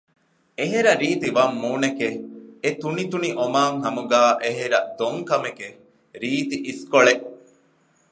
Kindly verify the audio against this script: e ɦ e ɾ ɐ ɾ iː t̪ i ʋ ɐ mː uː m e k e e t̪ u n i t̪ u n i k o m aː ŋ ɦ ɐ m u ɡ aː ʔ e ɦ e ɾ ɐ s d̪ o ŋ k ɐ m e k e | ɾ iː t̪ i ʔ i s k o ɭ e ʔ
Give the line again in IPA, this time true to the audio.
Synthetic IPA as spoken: e ɦ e ɾ ɐ ɾ iː t̪ i ʋ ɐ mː uː n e k e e t̪ u n i t̪ u n i ʔ o m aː ŋ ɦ ɐ m u ɡ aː ʔ e ɦ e ɾ ɐ d̪ o ŋ k ɐ m e k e | ɾ iː t̪ i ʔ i s k o ɭ e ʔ